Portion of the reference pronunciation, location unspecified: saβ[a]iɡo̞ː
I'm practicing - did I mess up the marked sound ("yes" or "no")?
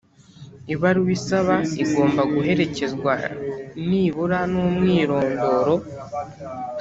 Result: no